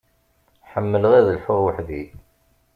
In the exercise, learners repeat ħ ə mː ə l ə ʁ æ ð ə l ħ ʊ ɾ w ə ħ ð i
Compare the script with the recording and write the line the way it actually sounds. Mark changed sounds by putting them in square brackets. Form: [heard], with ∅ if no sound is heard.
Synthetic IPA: ħ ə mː ə l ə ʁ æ ð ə l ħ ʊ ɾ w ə ħ ð i